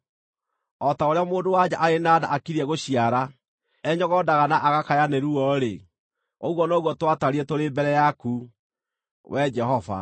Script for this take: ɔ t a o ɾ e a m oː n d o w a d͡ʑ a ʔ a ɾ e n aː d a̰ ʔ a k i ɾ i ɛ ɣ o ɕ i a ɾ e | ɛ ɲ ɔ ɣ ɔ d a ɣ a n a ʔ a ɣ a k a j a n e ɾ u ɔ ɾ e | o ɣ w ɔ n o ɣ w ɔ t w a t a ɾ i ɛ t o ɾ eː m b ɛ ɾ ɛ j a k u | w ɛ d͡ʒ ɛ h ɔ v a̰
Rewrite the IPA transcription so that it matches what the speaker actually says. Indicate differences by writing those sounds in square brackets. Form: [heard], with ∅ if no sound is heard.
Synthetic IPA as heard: ɔ t a o ɾ e a m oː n d o w a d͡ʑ a ʔ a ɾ e n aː d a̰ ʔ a k i ɾ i ɛ ɣ o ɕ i a ɾ [a] | ɛ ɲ ɔ ɣ ɔ d a ɣ a n a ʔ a ɣ a k a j a n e ɾ u ɔ ɾ e | o ɣ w ɔ n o ɣ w ɔ t w a t a ɾ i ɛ t o ɾ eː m b ɛ ɾ ɛ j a k u | w ɛ d͡ʒ ɛ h ɔ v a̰

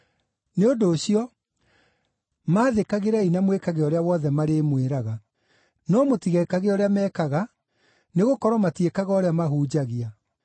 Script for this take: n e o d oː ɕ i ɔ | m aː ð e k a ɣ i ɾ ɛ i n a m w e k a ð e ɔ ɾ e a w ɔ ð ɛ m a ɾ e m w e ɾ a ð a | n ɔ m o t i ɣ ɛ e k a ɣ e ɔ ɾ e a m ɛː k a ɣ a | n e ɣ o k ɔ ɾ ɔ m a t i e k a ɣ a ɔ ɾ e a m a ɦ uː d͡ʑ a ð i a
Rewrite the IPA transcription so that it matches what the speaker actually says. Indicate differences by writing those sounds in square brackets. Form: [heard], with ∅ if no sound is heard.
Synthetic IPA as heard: n e o d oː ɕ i ɔ | m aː ð e k a ɣ [e] ɾ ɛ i n a m w e k a [ɣ] e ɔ ɾ e a w ɔ ð ɛ m a ɾ e m w e ɾ a [ɣ] a | n ɔ m o t i ɣ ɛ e k a ɣ e ɔ ɾ e a m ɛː k a ɣ a | n e ɣ o k ɔ ɾ ɔ m a t i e k a ɣ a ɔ ɾ e a m a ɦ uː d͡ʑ a [ɣ] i a

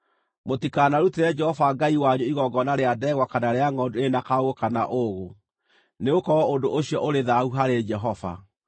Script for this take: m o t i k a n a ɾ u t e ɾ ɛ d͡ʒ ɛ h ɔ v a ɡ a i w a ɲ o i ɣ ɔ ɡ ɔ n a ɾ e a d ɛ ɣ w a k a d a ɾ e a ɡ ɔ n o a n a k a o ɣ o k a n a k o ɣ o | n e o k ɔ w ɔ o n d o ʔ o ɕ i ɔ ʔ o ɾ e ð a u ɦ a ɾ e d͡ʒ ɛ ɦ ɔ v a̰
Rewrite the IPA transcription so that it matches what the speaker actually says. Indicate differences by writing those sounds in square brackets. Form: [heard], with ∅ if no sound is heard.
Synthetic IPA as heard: m o t i k a n a ɾ u t e ɾ ɛ d͡ʒ ɛ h ɔ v a ɡ a i w a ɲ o i ɣ ɔ ɡ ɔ n a ɾ e a d ɛ ɣ w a k a [n] a ɾ e a [ŋ] ɔ [d] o [e] n a k a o ɣ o k a n a [ʔ] o ɣ o | n e o k ɔ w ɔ o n d o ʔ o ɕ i ɔ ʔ o ɾ e ð a u ɦ a ɾ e d͡ʒ ɛ ɦ ɔ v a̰

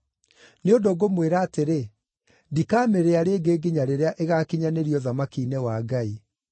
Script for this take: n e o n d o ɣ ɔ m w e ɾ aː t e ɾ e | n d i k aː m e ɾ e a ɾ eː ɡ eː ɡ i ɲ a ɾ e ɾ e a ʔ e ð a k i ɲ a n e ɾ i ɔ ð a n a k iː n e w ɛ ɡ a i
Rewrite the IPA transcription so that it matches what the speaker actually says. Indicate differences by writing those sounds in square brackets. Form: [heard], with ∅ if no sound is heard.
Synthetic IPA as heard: n e o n d o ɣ [o] m w e ɾ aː t e ɾ e | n d i k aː m e ɾ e a ɾ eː ɡ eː ɡ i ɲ a ɾ e ɾ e a ʔ e [ɣ] a k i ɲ a n e ɾ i ɔ ð a [m] a k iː n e w [a] ɡ a i

